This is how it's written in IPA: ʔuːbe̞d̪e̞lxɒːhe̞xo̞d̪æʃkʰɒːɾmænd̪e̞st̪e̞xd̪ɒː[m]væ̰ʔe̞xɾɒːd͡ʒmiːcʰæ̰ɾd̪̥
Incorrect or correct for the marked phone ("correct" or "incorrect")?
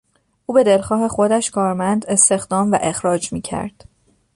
correct